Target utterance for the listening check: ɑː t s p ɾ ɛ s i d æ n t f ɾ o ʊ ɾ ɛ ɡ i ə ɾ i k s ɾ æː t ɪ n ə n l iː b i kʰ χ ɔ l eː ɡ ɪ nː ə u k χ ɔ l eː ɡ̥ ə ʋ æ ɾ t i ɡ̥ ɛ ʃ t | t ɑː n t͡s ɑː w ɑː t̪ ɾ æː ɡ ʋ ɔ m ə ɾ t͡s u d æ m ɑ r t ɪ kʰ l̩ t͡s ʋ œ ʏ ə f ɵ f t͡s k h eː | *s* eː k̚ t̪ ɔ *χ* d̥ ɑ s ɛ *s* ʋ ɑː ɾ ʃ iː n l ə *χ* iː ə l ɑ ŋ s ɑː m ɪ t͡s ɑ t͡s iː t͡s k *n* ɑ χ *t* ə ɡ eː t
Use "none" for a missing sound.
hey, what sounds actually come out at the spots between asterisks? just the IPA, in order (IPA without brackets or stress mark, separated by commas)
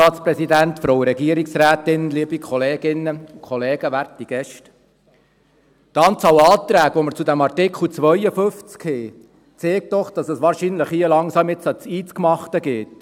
t͡s, χ, s, χ, m, t